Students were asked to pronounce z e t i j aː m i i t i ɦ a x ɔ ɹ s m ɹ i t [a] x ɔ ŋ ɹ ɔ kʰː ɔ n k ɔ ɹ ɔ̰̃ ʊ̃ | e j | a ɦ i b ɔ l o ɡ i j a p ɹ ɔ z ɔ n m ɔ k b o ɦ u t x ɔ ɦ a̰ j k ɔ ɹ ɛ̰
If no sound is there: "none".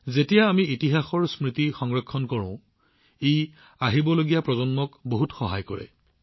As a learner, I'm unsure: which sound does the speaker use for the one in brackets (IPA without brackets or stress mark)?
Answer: i